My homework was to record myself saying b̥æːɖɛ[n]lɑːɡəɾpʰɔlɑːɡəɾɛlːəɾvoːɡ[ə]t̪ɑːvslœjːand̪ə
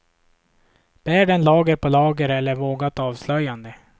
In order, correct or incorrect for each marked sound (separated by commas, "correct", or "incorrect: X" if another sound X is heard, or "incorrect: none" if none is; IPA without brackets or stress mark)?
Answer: correct, incorrect: a